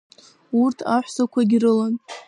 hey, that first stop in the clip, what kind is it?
aspirated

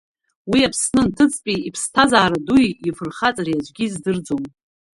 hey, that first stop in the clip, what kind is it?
aspirated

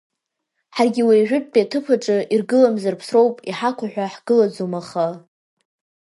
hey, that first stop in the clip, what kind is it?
plain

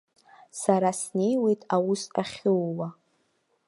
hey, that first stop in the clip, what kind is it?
ejective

